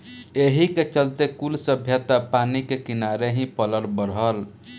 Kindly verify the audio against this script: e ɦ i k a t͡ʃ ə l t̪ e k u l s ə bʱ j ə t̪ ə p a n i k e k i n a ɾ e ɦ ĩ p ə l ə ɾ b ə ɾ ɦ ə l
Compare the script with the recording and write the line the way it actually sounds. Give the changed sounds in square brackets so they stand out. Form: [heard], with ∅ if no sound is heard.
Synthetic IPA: e ɦ i k [e] t͡ʃ ə l t̪ e k u l s ə bʱ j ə t̪ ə p a n i k e k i n a ɾ e ɦ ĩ p ə l ə ɾ b ə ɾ ɦ ə l